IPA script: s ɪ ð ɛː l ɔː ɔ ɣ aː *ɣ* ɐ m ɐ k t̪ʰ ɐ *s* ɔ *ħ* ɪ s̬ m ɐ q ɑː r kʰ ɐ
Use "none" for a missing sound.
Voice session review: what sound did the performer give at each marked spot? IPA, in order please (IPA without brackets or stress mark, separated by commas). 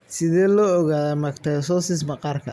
ð, s, s